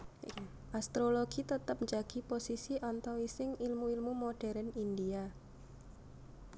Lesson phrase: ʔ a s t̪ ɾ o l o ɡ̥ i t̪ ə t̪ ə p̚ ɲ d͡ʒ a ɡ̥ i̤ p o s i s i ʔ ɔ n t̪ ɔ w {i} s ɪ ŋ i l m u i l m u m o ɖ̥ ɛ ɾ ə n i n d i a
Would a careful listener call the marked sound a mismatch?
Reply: no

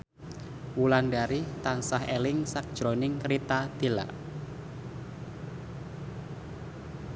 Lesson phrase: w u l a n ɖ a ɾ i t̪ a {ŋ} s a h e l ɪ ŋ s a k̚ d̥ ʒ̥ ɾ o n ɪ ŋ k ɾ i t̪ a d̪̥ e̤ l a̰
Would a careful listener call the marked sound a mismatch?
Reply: yes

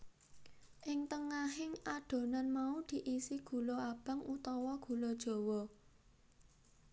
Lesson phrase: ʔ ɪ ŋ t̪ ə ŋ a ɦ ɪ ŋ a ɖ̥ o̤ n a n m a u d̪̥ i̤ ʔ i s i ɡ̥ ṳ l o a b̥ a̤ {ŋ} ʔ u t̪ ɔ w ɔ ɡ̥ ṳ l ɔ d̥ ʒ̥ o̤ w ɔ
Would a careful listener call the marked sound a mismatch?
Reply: no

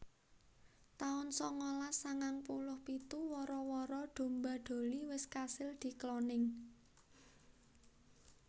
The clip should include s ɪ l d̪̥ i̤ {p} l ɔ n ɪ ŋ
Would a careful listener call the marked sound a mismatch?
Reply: yes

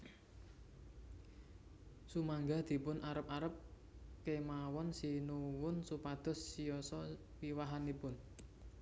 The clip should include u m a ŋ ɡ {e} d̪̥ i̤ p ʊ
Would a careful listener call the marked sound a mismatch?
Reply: yes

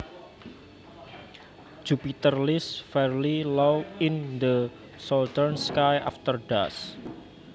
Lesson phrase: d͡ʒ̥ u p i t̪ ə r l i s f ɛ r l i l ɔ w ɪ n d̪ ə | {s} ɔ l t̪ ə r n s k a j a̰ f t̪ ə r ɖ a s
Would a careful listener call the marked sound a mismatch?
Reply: no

